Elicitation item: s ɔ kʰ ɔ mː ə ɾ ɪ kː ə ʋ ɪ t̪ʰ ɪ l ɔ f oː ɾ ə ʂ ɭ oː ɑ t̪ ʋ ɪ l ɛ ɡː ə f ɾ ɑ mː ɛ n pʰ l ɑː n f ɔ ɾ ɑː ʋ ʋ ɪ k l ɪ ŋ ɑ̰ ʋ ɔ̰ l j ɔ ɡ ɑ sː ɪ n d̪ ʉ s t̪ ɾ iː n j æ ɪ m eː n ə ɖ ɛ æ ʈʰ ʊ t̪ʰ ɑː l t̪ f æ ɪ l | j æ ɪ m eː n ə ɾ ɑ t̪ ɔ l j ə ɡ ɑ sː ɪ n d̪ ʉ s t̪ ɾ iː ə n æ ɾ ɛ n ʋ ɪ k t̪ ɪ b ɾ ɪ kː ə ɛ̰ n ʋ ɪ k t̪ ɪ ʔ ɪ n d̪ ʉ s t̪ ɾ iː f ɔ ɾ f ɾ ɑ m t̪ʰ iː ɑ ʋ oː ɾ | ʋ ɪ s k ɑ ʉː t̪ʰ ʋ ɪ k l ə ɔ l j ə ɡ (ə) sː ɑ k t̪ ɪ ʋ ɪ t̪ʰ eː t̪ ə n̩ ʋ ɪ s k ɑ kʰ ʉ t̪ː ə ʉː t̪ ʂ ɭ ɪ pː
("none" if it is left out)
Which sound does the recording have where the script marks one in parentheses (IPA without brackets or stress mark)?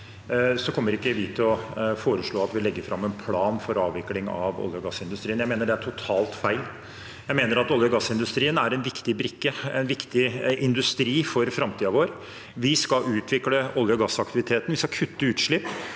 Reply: ɑ